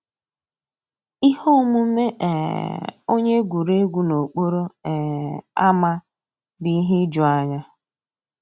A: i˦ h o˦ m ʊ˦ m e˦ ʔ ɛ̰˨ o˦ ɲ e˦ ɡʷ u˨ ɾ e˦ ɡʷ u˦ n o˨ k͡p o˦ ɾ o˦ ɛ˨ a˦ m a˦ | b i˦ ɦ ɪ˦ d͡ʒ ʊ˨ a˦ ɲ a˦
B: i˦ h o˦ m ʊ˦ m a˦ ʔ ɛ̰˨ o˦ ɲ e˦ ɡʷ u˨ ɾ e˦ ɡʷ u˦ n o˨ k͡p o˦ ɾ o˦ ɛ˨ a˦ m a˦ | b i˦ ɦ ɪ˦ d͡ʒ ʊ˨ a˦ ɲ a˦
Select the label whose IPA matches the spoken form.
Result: A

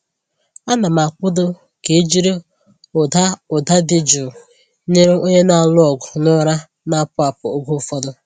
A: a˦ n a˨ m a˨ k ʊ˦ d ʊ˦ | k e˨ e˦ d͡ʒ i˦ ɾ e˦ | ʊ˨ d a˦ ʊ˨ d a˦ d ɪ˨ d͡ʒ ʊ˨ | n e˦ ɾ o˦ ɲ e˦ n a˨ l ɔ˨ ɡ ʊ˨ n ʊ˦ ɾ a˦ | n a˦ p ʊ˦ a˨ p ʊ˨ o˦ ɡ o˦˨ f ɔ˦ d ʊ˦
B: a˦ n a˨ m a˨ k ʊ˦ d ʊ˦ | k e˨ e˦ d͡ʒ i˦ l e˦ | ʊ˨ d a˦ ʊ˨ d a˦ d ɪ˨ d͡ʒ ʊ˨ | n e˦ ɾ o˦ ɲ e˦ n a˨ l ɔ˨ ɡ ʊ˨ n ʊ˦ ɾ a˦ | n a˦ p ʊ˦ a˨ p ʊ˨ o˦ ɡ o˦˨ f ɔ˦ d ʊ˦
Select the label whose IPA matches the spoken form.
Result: A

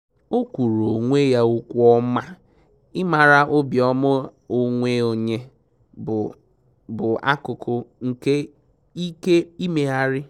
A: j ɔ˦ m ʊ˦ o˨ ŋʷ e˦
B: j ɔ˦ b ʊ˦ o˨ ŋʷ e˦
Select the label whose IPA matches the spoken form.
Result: A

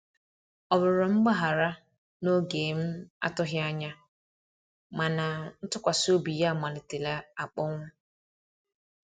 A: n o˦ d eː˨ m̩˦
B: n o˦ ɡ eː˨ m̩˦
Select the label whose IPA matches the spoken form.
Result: B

